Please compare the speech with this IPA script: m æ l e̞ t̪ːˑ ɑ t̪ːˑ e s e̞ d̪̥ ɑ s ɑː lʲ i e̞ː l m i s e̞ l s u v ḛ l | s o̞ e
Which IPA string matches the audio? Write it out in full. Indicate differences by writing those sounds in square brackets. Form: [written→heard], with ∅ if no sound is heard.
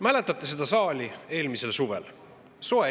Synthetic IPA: m æ l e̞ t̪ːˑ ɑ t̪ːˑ e s e̞ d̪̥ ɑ s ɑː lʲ i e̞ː l m i s e̞ l s u v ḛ l | s o̞ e